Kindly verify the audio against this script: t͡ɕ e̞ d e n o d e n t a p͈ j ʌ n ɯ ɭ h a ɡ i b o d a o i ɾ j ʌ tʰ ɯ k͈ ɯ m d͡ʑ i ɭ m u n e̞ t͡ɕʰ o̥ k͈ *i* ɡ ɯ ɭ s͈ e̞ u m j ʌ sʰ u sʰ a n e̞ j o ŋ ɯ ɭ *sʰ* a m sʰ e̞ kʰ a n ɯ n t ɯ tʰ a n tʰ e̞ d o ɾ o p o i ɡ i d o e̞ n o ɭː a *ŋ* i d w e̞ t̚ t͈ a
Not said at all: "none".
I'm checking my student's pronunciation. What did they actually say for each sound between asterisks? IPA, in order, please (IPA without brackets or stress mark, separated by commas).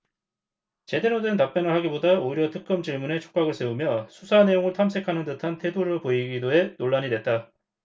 a, tʰ, ɲ